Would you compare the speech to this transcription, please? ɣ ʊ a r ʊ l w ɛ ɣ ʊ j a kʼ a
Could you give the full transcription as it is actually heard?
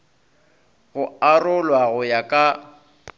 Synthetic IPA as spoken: ɣ ʊ a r ʊ l w a ɣ ʊ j a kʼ a

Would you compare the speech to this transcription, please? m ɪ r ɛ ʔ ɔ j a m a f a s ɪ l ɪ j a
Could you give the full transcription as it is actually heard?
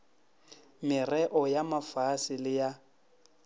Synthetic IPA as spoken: m ɪ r ɛ ʔ ɔ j a m a f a s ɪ l ɪ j a

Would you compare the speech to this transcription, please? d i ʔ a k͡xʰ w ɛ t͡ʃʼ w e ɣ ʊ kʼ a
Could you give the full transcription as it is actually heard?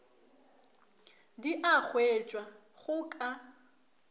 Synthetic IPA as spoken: d i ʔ a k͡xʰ w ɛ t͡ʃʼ w a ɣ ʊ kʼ a

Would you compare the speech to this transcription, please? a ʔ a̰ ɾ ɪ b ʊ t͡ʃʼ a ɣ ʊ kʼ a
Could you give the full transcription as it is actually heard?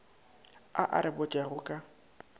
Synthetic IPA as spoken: a ʔ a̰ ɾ ɪ b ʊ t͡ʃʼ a ɣ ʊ kʼ a

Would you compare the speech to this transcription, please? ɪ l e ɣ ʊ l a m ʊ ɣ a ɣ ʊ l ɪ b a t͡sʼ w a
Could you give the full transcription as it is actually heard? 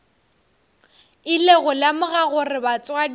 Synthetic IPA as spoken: ɪ l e ɣ ʊ l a m ʊ ɣ a ɣ ʊ r ɪ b a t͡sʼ w a

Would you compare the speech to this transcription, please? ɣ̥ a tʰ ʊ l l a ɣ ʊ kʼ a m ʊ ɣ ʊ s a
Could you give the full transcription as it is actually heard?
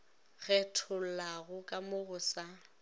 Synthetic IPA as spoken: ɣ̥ ɛ tʰ ʊ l l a ɣ ʊ kʼ a m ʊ ɣ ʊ s a

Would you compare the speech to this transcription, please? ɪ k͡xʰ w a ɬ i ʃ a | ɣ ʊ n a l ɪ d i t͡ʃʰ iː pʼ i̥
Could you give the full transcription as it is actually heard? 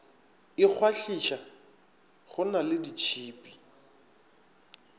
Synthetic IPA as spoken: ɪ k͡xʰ w a ɬ i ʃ a | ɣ ʊ n a l ɪ d i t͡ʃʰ iː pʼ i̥

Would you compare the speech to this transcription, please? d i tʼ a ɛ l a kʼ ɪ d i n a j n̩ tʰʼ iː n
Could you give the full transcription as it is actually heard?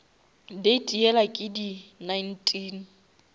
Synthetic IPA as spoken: d e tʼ i ɛ l a kʼ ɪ d i n a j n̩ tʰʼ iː n

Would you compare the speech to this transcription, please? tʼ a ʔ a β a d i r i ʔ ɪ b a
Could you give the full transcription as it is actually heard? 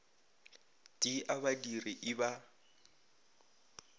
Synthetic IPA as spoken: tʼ i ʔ a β a d i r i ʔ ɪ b a

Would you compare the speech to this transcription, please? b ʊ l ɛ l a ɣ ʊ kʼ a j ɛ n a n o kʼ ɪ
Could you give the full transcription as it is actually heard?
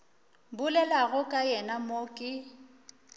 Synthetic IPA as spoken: b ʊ l ɛ l a ɣ ʊ kʼ a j ɛ n a m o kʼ ɪ

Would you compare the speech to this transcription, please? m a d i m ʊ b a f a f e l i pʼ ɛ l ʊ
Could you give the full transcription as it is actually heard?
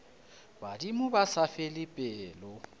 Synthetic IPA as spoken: b a d i m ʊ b a s a f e l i pʼ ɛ l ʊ

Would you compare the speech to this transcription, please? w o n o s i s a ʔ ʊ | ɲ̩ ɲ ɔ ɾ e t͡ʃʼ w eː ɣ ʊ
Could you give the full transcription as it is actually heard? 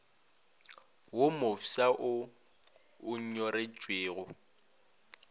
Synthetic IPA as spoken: w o m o f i s a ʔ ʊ | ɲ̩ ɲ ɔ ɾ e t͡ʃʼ w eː ɣ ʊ

